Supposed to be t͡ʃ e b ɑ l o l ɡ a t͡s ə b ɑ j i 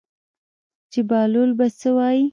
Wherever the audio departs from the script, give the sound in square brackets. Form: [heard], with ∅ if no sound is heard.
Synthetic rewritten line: t͡ʃ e b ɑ l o l [b] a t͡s ə [w] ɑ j i